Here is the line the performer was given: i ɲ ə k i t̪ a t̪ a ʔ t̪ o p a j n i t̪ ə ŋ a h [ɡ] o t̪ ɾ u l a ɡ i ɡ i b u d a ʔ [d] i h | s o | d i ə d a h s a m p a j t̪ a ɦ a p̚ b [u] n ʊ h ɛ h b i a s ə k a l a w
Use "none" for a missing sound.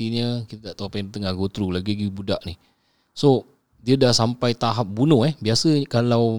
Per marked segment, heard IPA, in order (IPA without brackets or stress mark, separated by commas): ɡ, n, u